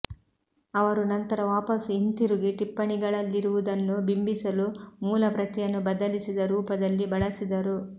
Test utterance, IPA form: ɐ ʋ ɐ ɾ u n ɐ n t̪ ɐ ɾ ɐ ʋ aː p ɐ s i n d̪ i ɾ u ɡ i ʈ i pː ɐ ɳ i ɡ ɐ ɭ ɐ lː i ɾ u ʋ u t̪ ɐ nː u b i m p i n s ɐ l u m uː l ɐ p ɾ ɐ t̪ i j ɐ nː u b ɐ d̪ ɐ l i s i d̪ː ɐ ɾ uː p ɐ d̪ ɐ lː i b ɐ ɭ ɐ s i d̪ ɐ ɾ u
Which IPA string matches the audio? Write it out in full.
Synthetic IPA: ɐ ʋ ɐ ɾ u n ɐ n t̪ ɐ ɾ ɐ ʋ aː p ɐ s i n t̪ i ɾ u ɡ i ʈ i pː ɐ ɳ i ɡ ɐ ɭ ɐ lː i ɾ u ʋ u d̪ ɐ nː u b i m b i s ɐ l u m uː l ɐ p ɾ ɐ t̪ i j ɐ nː u b ɐ d̪ ɐ l i s i d̪ ɐ ɾ uː p ɐ d̪ ɐ lː i b ɐ ɭ ɐ s i d̪ ɐ ɾ u